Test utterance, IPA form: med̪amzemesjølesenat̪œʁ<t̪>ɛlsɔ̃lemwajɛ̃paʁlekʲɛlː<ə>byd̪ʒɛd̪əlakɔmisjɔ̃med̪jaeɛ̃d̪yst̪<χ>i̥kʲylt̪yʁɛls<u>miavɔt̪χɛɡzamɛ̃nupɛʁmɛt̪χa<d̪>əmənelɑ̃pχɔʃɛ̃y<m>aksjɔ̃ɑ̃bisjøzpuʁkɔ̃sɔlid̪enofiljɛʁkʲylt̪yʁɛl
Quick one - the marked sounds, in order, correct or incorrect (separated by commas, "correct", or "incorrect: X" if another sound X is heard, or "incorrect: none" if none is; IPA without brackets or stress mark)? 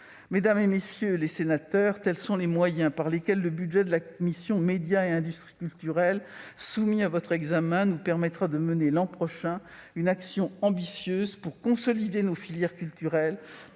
correct, correct, correct, correct, correct, incorrect: n